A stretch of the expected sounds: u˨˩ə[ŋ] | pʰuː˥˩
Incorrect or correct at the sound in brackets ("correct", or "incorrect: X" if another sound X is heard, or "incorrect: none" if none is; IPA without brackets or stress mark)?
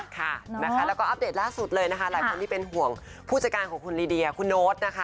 correct